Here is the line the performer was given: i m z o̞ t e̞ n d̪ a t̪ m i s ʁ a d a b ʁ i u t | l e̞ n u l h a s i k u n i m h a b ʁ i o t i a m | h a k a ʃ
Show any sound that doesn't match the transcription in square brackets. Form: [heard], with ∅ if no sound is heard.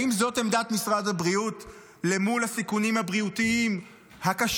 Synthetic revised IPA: i m z o̞ t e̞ [m] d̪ a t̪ m i s ʁ a d a b ʁ i u t | l e̞ [m] u l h a s i k u n i m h a b ʁ i [u] t i [i] m | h a k a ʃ